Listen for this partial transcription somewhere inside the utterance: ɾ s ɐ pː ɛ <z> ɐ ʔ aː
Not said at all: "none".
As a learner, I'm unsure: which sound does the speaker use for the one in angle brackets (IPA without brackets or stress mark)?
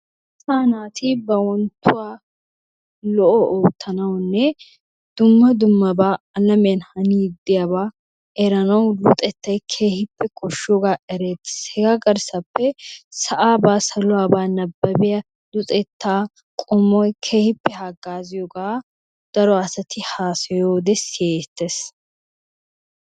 s